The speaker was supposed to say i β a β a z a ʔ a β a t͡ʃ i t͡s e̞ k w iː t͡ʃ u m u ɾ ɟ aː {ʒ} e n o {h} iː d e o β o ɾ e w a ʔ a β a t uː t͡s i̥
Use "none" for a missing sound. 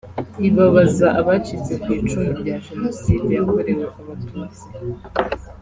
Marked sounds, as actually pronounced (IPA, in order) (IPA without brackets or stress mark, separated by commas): ʒ, s